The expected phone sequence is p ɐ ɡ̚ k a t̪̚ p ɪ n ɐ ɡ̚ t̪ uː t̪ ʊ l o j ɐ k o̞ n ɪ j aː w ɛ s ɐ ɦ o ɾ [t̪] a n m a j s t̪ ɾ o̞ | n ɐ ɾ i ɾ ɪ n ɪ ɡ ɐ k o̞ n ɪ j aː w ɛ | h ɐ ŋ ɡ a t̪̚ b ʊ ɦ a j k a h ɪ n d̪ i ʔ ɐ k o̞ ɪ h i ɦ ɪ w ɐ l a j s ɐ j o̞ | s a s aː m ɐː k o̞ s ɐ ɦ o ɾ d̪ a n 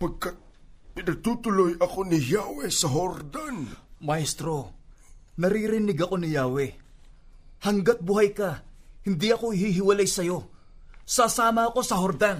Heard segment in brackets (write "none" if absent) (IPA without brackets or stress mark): d̪